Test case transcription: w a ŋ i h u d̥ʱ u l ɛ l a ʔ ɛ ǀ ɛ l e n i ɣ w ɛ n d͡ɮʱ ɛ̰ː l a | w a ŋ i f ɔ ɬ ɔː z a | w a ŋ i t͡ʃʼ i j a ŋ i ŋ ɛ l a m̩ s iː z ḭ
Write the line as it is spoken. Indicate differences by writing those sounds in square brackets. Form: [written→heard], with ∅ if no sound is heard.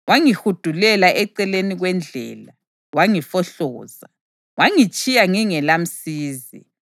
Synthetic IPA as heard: w a ŋ i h u d̥ʱ u l ɛ l a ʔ ɛ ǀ ɛ l e n i ɣ w ɛ n d͡ɮʱ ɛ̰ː l a | w a ŋ i f ɔ ɬ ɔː z a | w a ŋ i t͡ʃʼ i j a ŋ i ŋ ɛ l a m̩ s iː z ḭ